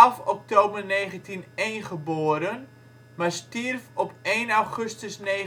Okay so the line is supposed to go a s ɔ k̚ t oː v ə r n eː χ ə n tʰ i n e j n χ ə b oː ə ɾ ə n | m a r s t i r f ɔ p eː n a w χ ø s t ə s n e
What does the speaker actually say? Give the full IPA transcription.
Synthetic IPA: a f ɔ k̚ t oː b ə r n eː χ ə n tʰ i n e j n χ ə b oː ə ɾ ə n | m a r s t i r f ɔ p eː n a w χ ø s t ə s n e